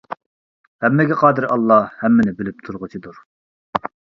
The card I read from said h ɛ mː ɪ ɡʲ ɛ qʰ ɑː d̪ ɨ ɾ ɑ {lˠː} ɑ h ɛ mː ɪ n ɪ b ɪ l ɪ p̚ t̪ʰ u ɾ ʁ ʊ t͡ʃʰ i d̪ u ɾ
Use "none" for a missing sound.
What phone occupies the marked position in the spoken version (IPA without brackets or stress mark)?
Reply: lˠː